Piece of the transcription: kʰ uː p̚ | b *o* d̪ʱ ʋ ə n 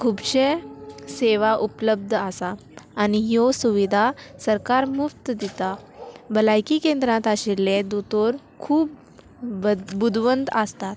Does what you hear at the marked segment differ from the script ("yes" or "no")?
yes